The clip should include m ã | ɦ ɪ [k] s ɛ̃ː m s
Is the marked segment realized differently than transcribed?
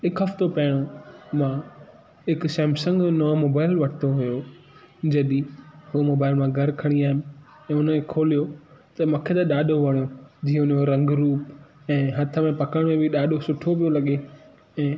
no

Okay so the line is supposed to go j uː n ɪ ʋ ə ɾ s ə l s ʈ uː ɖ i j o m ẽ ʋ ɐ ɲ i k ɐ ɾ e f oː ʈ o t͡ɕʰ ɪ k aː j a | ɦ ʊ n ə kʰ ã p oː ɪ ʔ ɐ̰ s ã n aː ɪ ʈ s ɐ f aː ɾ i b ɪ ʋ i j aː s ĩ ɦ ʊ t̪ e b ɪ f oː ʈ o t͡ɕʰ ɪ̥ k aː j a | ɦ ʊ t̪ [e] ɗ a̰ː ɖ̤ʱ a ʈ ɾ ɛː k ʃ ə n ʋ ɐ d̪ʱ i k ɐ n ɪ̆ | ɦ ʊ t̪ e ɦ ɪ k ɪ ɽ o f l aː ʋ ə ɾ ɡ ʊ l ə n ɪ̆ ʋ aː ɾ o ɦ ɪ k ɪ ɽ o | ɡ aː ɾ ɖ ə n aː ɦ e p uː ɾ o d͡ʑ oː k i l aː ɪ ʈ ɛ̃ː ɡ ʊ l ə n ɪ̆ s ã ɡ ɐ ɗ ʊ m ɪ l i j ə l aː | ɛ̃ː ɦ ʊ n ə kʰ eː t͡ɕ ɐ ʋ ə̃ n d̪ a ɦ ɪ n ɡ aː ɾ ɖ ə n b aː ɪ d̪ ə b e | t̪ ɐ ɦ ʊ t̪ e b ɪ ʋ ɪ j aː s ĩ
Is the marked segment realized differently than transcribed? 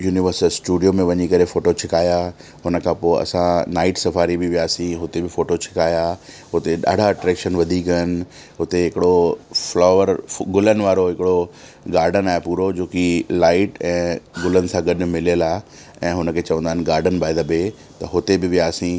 no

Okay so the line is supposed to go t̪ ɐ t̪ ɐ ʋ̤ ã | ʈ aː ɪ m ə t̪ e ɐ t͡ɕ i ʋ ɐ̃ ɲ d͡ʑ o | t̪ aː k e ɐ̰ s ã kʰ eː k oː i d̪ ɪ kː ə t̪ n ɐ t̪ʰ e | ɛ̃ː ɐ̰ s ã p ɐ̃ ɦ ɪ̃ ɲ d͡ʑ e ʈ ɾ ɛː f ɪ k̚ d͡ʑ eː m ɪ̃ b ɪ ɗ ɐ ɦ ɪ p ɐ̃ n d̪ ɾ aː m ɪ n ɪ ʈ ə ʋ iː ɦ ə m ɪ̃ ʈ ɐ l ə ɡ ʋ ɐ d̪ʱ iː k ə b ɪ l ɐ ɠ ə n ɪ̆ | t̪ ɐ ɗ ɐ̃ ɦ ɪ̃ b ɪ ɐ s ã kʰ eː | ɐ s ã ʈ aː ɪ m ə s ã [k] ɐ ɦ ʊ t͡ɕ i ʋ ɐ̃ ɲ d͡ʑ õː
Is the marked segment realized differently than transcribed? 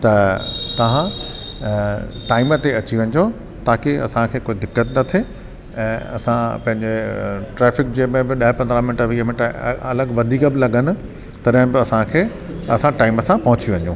yes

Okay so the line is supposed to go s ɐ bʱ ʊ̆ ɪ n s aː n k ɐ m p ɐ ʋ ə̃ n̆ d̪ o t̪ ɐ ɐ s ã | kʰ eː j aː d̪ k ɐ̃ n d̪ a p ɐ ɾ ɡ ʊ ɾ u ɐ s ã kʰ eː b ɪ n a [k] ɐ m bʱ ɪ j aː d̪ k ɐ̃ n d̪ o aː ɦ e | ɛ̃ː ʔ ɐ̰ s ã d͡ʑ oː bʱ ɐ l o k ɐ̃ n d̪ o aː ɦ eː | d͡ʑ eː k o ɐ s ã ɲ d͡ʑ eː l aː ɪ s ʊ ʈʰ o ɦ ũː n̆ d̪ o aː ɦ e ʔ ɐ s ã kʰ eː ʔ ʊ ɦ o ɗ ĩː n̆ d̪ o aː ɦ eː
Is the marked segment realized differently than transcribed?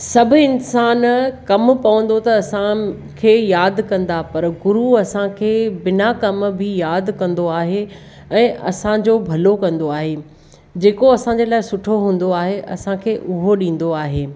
no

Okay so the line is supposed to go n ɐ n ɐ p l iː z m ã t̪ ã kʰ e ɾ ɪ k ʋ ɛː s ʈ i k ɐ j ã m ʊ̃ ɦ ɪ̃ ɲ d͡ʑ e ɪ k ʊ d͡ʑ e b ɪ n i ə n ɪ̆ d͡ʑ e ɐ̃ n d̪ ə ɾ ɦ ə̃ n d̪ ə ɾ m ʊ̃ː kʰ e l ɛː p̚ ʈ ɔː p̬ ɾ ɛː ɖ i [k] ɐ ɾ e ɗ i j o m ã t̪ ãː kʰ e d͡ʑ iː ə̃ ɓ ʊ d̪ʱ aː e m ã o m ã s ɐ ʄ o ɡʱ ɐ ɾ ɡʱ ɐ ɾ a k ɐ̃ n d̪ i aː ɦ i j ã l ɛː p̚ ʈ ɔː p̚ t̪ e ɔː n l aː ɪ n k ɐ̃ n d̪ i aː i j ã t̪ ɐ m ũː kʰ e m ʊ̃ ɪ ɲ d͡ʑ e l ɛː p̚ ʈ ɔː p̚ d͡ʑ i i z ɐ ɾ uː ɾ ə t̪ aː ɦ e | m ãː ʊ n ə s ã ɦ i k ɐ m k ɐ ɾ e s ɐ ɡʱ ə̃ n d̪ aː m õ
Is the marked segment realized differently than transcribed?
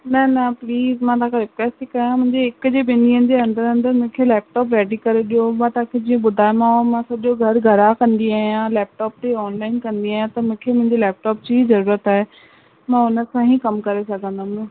no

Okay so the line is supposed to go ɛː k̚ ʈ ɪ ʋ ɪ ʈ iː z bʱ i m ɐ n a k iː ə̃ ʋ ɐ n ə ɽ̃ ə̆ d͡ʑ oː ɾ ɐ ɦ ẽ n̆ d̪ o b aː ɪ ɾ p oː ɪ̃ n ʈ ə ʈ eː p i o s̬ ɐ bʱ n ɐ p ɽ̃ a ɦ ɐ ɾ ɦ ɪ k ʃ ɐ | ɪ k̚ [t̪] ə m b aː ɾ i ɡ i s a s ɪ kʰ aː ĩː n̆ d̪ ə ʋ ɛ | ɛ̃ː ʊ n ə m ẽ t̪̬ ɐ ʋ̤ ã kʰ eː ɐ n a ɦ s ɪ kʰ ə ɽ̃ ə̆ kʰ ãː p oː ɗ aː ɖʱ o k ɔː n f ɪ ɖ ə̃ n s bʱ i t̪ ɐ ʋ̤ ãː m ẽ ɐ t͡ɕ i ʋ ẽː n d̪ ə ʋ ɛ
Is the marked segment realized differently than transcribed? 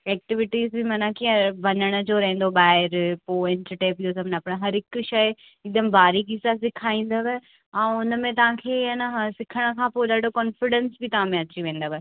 yes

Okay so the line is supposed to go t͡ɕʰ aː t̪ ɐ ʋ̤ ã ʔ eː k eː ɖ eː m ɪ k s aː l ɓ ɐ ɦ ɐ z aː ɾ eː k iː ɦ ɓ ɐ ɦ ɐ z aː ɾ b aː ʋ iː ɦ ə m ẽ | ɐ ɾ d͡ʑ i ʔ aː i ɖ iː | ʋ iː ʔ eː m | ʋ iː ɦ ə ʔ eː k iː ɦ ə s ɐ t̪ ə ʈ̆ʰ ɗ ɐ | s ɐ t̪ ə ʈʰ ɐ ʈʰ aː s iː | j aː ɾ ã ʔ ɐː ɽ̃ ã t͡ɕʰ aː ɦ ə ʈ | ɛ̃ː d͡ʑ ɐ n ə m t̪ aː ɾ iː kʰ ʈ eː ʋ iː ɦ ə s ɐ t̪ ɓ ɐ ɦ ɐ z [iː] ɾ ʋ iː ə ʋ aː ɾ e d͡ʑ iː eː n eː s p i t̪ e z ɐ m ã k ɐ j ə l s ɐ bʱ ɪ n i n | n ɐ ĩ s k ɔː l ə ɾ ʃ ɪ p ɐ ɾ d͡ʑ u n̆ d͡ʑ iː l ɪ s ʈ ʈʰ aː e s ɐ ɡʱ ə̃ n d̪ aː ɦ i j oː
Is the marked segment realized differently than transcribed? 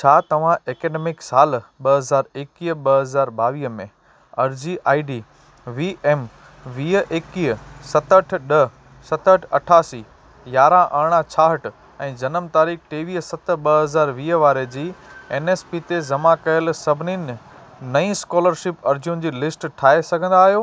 yes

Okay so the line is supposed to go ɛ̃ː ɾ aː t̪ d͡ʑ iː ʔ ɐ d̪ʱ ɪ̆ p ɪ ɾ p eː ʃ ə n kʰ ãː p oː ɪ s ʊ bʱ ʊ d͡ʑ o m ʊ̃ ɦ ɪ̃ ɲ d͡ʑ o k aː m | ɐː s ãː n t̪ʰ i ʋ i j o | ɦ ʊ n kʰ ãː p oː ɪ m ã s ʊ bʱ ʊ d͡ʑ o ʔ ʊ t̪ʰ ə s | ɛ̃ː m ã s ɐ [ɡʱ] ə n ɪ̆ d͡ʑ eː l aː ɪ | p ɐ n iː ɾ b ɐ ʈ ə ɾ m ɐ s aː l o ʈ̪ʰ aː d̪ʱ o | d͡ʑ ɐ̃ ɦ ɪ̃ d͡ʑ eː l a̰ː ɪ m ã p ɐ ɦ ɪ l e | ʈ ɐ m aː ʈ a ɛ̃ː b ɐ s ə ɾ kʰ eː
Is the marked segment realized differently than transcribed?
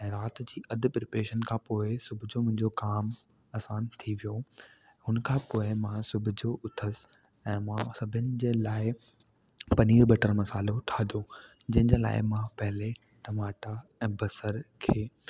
yes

